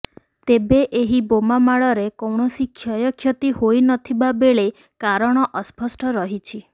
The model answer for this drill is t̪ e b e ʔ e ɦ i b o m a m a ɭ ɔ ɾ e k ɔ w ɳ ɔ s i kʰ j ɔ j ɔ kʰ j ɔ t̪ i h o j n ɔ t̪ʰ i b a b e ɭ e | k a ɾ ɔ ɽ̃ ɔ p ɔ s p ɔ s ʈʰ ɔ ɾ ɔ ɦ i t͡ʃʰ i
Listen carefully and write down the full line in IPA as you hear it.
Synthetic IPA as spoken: t̪ e b e ʔ e ɦ i b o m a m a ɭ ɔ ɾ e k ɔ w ɳ ɔ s i kʰ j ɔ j ɔ kʰ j ɔ t̪ i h o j n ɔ t̪ʰ i b a b e ɭ e | k a ɾ ɔ ɽ̃ ɔ ʔ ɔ s p ɔ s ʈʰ ɔ ɾ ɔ ɦ i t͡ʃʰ i